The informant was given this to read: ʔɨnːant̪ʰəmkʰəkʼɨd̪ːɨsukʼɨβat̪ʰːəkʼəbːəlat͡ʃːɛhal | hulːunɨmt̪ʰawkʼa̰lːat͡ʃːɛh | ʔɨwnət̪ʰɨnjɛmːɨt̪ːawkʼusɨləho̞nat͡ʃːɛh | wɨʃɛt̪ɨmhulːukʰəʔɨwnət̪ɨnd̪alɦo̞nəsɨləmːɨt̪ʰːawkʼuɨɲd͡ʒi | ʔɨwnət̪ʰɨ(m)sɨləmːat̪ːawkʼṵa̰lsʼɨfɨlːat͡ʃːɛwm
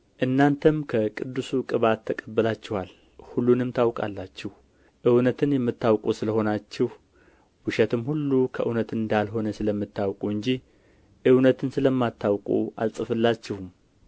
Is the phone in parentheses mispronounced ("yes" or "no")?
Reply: yes